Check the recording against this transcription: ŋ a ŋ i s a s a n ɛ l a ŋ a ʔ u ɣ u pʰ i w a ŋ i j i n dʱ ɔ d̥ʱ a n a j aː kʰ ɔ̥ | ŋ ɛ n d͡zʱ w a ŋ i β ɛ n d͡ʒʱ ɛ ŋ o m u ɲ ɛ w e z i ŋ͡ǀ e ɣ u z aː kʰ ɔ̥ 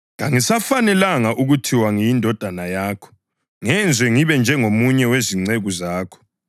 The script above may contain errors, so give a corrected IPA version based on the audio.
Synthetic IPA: ŋ a ŋ i s a f a n ɛ l a ŋ a ʔ u ɣ u tʰ i w a ŋ i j i n dʱ ɔ d̥ʱ a n a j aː kʰ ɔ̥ | ŋ ɛ n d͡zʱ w ɛ ŋ i β ɛ n d͡ʒʱ ɛ ŋ o m u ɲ ɛ w e z i ŋ͡ǀ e ɣ u z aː kʰ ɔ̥